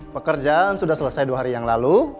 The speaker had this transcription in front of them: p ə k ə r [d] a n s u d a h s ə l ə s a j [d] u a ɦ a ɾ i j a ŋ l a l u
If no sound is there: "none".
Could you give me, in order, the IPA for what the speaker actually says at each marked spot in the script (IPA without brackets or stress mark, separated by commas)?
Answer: d͡ʒ, d